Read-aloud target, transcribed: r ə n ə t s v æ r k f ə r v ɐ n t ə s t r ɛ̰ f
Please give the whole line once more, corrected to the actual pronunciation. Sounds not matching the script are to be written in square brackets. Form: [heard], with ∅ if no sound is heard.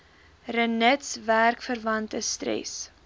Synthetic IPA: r ə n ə t s v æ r k f ə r v ɐ n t ə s t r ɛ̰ [s]